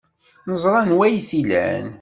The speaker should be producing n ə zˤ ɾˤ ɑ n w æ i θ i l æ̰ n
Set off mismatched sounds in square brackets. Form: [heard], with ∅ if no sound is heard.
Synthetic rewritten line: n ə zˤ ɾˤ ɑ n w æ [j] θ i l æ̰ n